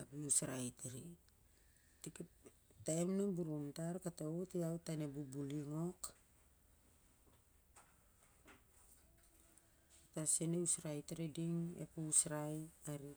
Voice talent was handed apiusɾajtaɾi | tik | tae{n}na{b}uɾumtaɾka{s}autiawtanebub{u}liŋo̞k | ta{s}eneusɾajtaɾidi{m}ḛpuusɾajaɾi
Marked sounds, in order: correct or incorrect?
incorrect, correct, incorrect, correct, correct, incorrect

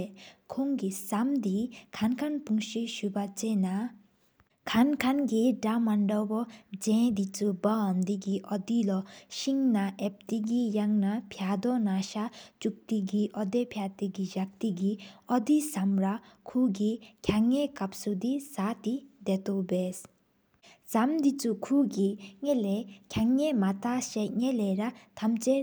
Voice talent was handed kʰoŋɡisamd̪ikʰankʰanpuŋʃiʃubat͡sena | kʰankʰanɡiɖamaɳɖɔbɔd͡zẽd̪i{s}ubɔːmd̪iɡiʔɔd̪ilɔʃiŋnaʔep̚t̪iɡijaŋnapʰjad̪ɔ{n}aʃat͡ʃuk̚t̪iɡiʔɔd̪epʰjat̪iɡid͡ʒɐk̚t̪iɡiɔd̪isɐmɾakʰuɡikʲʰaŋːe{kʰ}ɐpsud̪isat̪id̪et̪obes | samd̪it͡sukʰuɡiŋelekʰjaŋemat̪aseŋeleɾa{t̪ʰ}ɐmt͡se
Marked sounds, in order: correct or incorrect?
incorrect, correct, incorrect, correct

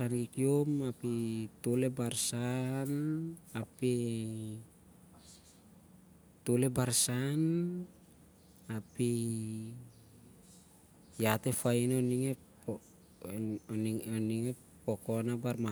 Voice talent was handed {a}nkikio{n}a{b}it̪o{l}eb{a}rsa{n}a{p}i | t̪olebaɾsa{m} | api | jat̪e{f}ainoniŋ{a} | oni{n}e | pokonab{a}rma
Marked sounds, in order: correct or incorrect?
correct, incorrect, incorrect, correct, correct, correct, correct, incorrect, correct, incorrect, incorrect, correct

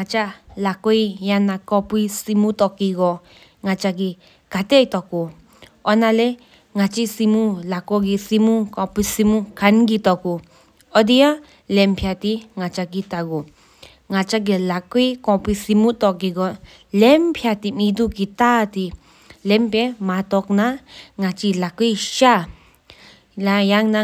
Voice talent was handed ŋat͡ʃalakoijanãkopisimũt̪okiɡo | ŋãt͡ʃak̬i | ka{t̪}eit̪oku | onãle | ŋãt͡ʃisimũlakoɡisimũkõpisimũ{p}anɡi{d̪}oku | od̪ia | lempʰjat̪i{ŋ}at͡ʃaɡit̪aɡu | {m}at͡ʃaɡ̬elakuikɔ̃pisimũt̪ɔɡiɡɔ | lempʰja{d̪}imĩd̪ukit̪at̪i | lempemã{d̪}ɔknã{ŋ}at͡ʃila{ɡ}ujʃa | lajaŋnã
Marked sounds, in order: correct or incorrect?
correct, incorrect, incorrect, correct, incorrect, incorrect, incorrect, correct, incorrect

